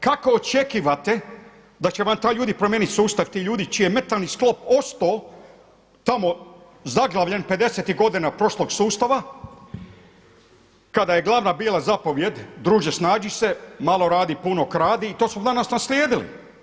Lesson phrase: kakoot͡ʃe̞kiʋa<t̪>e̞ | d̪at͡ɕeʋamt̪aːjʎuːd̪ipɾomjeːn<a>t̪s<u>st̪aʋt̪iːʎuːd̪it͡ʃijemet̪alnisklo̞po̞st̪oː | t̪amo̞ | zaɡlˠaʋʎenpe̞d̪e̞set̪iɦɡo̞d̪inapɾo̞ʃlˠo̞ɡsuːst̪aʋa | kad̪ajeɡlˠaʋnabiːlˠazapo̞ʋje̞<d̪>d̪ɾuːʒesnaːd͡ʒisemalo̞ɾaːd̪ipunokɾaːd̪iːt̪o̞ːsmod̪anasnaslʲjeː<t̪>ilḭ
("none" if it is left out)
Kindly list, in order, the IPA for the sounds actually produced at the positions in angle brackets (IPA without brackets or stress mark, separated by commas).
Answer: t̪, i, uː, d̪, d̪